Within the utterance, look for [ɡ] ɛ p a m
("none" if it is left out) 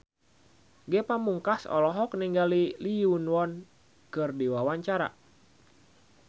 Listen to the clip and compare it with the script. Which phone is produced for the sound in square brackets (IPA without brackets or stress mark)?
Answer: ɡ